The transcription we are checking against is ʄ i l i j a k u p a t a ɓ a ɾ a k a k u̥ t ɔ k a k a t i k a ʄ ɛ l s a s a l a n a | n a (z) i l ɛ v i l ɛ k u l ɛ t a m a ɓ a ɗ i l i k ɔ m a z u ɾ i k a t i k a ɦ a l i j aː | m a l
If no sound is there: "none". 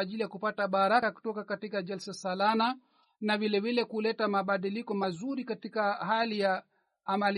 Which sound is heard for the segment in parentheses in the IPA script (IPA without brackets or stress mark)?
v